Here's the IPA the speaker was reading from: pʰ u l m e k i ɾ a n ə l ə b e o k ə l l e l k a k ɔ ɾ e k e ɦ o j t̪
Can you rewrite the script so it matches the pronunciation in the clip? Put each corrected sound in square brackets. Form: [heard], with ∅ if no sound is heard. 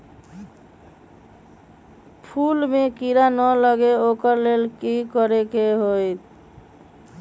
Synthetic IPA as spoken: pʰ u l m e k i ɾ a n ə l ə [ɡ] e o k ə [ɾ] l e l k [i] k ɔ ɾ e k e ɦ o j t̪

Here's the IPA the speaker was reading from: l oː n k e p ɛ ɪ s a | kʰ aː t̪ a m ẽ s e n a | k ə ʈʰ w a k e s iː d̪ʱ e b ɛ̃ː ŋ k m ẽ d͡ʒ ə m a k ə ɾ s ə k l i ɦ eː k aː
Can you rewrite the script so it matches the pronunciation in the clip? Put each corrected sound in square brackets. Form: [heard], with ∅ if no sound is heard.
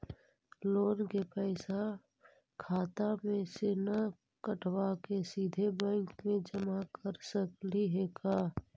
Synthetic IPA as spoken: l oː n k e p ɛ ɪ s a | kʰ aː t̪ a m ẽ s e n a | k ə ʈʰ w a k e s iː d̪ʱ e b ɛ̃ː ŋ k m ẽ d͡ʒ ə m a k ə ɾ s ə k l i ɦ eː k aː

